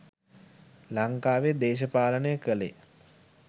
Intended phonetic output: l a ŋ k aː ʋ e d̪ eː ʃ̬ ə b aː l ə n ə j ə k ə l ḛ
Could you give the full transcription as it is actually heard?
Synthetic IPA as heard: l a ŋ k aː ʋ e d̪ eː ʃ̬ ə p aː l ə n ə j ə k ə l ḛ